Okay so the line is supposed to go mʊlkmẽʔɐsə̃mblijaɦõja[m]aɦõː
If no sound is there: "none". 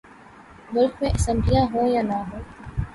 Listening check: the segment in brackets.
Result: n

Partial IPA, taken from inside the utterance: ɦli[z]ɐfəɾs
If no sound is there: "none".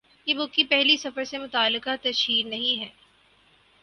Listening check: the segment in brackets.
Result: s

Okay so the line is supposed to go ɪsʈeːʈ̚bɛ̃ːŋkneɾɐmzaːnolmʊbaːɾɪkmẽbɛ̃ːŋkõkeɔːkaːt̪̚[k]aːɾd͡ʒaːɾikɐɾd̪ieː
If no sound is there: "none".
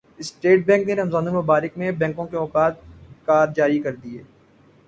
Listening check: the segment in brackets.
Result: k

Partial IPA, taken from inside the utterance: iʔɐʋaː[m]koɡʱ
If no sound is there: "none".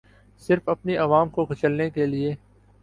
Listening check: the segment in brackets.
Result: m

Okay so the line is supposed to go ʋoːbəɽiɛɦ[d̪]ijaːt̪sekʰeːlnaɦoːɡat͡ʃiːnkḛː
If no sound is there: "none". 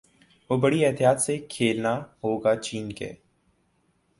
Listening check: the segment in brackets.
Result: t̪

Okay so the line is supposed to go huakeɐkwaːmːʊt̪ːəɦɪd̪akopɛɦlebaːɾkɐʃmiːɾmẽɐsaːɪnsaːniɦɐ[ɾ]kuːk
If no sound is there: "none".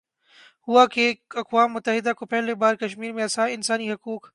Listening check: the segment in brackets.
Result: none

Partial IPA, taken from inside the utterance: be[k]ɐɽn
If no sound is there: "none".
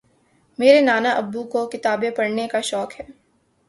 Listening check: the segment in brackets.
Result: p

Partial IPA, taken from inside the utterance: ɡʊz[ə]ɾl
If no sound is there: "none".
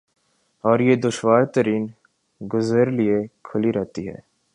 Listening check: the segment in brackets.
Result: ə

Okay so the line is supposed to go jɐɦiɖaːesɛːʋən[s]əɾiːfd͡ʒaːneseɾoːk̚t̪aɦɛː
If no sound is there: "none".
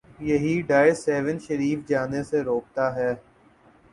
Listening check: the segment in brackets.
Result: ʃ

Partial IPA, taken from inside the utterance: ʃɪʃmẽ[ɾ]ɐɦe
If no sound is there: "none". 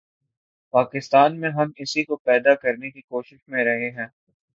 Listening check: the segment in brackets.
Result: ɾ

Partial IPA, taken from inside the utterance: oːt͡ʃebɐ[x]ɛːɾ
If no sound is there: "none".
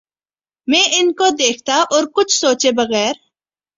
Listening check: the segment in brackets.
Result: ɣ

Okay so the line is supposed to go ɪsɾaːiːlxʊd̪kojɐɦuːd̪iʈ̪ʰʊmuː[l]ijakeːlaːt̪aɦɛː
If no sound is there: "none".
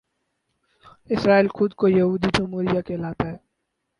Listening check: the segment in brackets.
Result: ɾ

